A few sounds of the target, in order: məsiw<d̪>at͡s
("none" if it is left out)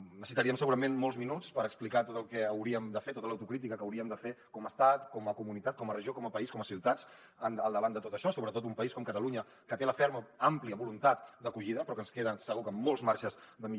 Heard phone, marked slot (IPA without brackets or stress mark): t̪